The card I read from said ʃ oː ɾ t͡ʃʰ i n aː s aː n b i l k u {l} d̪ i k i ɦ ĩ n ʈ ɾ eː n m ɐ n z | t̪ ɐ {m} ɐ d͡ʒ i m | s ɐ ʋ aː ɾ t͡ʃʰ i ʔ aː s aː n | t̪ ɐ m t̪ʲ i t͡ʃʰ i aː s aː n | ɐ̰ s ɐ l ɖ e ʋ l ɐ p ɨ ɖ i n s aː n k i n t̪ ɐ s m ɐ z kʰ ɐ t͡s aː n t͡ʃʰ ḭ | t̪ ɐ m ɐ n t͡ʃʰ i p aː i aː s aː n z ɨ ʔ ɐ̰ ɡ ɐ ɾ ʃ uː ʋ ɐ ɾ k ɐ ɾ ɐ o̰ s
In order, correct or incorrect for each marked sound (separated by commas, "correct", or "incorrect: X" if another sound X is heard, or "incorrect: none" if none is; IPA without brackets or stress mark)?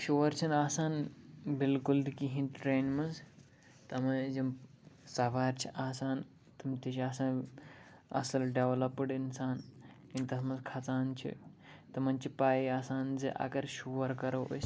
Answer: correct, correct